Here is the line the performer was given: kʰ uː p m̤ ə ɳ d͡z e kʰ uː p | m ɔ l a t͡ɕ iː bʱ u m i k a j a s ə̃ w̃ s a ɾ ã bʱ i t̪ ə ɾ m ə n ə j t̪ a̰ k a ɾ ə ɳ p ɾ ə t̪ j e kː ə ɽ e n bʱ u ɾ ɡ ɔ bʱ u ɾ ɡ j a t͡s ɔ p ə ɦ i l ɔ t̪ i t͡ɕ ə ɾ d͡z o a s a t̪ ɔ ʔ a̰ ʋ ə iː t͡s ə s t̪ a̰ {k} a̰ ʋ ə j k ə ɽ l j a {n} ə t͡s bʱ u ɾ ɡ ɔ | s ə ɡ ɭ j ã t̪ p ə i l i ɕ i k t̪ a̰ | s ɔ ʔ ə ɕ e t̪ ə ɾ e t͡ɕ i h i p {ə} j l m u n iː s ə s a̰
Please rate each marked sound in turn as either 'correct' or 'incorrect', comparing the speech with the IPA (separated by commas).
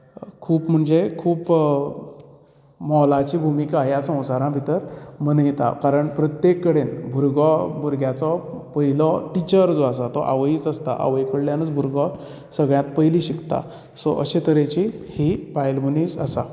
incorrect, correct, incorrect